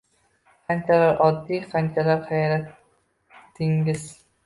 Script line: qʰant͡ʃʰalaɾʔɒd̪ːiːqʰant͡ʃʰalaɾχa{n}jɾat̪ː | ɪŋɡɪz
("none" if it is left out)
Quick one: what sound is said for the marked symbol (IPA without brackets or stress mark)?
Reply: none